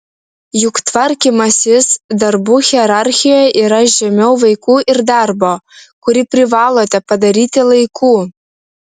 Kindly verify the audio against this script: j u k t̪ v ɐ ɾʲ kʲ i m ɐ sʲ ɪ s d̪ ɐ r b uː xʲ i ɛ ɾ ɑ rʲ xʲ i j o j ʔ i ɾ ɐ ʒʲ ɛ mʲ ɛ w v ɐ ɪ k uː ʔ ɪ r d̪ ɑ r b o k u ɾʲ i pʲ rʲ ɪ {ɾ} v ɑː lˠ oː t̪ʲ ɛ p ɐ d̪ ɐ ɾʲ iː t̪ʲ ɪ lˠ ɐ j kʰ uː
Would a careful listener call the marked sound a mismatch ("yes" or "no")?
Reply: yes